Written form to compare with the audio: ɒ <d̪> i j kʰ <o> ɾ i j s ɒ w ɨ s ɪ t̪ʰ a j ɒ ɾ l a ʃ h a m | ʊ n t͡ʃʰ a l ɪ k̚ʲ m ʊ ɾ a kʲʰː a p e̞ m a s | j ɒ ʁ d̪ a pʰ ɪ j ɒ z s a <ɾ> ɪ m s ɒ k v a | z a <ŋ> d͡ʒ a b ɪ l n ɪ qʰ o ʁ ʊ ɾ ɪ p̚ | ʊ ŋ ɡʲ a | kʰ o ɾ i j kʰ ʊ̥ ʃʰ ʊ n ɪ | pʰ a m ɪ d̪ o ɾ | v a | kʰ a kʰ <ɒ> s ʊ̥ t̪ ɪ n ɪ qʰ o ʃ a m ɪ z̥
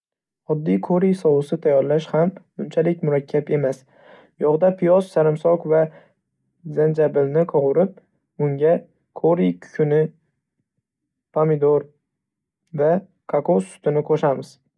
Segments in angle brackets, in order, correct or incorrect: incorrect, correct, correct, incorrect, incorrect

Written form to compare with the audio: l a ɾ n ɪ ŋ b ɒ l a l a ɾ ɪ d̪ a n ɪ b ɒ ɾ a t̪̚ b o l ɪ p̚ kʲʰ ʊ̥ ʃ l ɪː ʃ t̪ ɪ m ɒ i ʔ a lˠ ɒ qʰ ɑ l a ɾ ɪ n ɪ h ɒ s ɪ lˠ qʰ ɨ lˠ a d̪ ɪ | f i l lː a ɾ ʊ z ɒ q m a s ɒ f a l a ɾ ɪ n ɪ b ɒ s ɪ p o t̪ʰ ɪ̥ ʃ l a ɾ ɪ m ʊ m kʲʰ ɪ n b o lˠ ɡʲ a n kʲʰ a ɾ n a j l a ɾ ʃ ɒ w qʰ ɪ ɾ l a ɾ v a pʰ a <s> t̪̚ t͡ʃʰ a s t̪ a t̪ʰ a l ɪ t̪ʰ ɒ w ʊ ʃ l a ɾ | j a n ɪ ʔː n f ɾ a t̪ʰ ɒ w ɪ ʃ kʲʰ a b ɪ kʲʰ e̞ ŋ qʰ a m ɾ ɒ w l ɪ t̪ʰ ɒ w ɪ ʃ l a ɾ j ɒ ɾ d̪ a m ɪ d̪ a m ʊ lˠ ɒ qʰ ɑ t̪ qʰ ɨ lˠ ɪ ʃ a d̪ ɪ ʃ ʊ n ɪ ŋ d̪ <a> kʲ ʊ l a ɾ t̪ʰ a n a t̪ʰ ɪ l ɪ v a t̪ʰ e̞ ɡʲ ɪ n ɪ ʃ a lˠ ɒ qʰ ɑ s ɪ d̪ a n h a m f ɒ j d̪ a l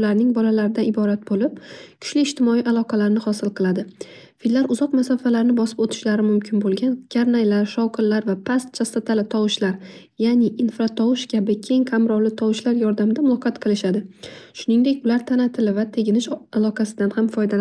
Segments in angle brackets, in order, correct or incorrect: correct, incorrect

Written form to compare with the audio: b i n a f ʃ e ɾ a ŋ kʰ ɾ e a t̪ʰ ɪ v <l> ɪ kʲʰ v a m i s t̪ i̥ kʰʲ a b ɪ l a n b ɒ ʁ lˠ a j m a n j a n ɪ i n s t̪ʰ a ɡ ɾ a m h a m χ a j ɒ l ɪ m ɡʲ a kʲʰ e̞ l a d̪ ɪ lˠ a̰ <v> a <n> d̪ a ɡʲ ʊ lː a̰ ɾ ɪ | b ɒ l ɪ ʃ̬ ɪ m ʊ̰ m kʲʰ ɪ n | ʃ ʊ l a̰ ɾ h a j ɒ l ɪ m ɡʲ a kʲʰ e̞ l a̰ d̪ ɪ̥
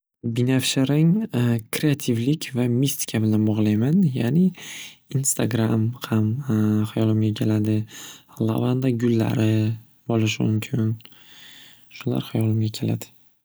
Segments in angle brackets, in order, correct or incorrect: correct, correct, correct

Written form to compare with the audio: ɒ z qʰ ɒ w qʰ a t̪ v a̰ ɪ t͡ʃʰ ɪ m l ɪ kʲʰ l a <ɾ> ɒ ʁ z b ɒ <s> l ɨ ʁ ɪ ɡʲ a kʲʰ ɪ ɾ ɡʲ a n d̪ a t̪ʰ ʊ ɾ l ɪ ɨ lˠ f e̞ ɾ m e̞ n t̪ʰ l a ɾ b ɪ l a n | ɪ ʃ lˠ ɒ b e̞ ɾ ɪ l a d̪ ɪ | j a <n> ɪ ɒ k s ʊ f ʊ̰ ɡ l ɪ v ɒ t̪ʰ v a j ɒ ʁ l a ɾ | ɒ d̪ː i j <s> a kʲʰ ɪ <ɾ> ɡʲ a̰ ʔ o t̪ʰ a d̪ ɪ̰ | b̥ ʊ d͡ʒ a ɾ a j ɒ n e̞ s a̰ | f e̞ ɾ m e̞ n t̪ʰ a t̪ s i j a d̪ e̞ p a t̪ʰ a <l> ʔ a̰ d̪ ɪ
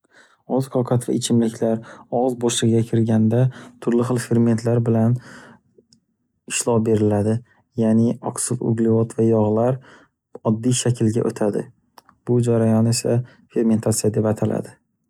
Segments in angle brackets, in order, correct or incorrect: correct, incorrect, correct, incorrect, incorrect, correct

